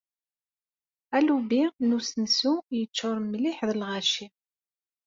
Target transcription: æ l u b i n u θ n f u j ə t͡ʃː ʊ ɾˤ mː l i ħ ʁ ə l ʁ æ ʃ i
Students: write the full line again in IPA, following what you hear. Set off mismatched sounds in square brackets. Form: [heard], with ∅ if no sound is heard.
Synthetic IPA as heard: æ l u b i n u [s] n [s] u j ə t͡ʃː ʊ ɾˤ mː l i ħ [ð] ə l ʁ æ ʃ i